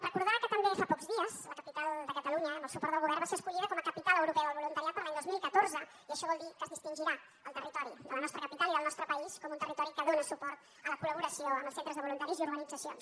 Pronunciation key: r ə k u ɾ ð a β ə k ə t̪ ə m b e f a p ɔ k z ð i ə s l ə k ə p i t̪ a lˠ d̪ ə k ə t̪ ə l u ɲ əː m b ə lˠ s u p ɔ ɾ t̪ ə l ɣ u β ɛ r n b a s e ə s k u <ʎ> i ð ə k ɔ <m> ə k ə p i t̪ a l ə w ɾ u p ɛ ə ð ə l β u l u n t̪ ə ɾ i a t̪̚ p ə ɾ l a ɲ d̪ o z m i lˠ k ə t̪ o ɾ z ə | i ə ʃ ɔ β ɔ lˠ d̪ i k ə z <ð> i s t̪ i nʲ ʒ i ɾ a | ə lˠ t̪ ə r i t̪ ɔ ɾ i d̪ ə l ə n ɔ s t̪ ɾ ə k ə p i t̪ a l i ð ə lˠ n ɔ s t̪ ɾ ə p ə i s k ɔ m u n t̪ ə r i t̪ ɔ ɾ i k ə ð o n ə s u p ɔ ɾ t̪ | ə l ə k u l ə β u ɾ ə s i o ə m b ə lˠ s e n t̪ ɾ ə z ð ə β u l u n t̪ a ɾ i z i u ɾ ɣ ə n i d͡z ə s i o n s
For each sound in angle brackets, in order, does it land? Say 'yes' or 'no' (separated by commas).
yes, yes, yes